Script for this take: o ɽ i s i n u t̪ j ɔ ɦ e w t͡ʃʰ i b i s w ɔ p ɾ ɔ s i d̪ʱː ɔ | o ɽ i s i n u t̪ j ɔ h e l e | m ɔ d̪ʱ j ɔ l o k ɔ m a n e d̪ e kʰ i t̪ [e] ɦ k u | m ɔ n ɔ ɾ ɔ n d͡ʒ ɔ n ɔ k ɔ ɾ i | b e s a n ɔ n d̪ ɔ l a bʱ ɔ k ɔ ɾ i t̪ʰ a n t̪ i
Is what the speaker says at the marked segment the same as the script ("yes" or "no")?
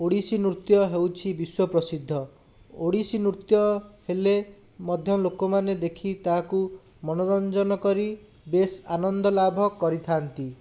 no